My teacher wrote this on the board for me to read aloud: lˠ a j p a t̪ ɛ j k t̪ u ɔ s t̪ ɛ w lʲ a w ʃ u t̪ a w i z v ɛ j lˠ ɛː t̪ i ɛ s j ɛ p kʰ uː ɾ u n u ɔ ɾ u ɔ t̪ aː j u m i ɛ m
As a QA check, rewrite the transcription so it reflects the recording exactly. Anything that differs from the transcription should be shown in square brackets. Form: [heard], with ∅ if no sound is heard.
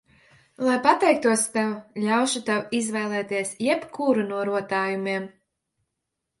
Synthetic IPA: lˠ a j p a t̪ ɛ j k t̪ u ɔ s t̪ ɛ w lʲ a w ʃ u t̪ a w i z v ɛ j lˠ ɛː t̪ i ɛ s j ɛ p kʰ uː ɾ u n u ɔ ɾ u ɔ t̪ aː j u m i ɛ m